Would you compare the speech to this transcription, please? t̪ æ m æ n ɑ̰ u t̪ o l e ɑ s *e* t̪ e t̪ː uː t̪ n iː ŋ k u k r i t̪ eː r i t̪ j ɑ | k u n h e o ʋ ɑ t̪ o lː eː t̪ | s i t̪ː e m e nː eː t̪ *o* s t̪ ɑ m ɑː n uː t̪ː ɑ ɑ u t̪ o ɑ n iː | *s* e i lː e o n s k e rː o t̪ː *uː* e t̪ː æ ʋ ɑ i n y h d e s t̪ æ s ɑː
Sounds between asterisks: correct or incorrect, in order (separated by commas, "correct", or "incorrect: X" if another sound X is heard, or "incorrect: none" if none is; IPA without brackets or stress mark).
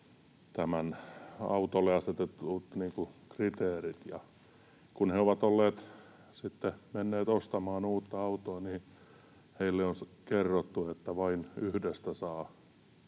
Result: correct, correct, incorrect: h, incorrect: u